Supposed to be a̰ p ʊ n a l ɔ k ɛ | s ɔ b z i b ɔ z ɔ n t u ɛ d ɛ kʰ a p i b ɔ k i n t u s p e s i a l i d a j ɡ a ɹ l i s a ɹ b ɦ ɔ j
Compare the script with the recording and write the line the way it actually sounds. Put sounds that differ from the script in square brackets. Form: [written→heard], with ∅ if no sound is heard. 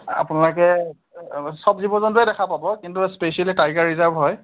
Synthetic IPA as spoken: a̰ p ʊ n a l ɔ k ɛ | s ɔ b z i b ɔ z ɔ n t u ɛ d ɛ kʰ a p [i→a] b ɔ k i n t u s p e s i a l i [d→t] a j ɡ a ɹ [l→ɹ] i [s→z] a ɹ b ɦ ɔ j